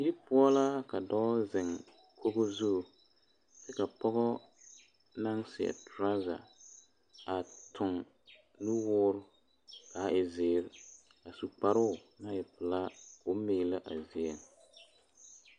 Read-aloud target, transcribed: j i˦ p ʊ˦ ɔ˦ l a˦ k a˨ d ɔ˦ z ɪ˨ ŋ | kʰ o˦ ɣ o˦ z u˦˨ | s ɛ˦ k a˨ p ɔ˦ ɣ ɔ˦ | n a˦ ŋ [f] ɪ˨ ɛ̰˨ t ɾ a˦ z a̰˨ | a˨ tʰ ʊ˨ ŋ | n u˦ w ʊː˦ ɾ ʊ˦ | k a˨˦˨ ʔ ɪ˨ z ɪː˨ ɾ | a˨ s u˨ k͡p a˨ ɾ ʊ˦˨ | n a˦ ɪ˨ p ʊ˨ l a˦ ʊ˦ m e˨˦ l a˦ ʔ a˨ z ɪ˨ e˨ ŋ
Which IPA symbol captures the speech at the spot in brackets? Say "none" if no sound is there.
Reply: s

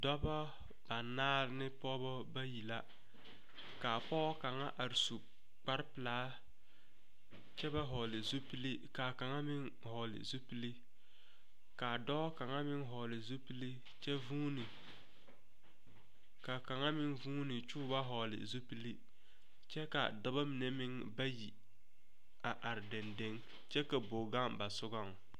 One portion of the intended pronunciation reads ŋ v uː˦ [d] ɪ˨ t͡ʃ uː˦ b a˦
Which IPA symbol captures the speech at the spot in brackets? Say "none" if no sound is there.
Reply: n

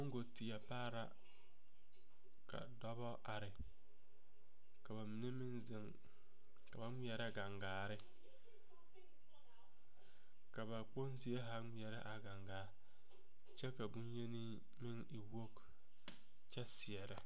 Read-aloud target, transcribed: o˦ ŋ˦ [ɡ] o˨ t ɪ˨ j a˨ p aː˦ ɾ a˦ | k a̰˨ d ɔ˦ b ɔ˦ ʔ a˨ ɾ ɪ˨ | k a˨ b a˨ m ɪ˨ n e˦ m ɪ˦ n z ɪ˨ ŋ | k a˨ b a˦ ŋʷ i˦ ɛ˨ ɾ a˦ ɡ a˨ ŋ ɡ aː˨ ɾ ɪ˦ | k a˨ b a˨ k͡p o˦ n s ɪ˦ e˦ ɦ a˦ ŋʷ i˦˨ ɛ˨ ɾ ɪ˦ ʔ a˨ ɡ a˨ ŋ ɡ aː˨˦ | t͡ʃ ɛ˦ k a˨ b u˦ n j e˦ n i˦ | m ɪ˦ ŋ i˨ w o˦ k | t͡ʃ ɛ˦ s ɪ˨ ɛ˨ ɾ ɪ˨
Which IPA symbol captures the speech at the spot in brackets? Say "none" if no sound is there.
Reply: ɡ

